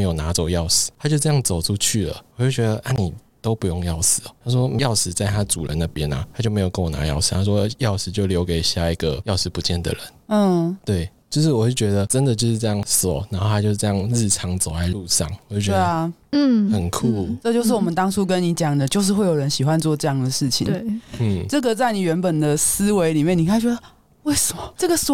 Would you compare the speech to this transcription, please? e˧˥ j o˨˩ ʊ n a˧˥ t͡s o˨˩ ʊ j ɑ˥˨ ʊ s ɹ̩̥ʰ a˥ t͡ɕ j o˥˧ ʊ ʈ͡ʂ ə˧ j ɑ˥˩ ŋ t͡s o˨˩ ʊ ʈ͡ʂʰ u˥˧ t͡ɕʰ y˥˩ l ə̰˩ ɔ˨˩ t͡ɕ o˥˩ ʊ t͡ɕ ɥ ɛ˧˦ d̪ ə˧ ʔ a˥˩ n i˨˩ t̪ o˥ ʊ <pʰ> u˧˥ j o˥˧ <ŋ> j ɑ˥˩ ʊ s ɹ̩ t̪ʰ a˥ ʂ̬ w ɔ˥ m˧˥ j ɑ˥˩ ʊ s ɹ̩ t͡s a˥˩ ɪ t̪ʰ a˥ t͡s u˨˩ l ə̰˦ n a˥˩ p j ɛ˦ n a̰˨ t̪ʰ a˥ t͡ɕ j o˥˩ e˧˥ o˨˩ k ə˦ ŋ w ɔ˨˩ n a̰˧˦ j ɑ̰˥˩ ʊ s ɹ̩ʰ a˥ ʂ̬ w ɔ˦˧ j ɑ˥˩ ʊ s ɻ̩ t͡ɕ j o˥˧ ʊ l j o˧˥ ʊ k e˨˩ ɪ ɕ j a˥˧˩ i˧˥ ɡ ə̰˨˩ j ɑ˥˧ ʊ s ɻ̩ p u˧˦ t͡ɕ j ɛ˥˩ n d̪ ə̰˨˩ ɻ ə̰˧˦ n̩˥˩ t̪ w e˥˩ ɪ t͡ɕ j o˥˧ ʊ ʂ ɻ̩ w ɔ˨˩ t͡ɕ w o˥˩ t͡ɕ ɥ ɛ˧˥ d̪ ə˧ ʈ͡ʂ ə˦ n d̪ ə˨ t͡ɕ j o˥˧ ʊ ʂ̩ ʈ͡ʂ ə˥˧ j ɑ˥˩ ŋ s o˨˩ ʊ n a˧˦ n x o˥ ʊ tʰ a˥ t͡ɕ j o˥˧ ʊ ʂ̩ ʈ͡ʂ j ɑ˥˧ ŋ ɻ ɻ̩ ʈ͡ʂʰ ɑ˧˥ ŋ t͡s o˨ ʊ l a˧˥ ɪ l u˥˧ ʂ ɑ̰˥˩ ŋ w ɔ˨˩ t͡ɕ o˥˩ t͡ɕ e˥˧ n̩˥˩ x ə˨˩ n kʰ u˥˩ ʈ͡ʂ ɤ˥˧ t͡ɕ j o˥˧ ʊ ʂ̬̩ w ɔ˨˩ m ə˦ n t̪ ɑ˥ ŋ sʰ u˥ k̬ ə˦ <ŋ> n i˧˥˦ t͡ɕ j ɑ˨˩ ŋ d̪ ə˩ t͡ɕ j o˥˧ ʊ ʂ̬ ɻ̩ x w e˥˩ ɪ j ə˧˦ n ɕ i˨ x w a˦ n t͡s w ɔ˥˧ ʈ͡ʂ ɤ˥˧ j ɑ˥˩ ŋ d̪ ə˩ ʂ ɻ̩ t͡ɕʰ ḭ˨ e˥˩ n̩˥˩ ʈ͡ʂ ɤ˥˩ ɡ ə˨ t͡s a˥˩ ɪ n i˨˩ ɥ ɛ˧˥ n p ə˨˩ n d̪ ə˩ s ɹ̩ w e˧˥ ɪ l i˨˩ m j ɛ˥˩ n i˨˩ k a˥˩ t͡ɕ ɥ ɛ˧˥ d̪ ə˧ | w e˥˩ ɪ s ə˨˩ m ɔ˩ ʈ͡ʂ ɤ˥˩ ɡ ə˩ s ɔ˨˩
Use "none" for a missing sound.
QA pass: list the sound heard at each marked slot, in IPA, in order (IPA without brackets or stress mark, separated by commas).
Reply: p, ŋ, n